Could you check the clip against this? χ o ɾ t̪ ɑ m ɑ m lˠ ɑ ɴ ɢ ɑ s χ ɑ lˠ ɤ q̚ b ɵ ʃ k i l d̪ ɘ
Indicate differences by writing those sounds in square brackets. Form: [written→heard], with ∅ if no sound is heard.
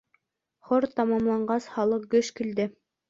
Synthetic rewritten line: χ o ɾ t̪ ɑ m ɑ m lˠ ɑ ɴ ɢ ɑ s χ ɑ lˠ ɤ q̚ [b→ɡ] ɵ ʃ k i l d̪ ɘ